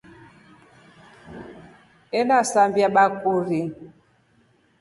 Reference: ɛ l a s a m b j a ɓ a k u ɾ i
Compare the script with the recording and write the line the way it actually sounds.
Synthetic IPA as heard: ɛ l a s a m b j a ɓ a k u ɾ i